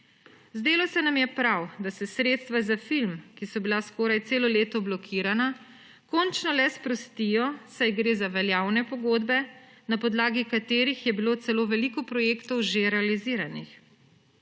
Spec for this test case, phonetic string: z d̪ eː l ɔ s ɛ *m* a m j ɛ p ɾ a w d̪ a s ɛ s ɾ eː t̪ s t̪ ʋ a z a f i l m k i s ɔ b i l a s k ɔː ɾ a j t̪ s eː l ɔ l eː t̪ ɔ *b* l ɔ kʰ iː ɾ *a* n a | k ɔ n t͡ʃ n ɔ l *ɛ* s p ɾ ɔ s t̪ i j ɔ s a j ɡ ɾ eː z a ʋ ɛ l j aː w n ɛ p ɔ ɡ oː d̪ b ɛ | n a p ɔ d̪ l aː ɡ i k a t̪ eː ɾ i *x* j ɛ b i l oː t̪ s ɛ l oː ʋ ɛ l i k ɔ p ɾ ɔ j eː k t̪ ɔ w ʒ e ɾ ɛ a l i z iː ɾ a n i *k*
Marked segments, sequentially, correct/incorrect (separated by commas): incorrect, correct, correct, correct, correct, incorrect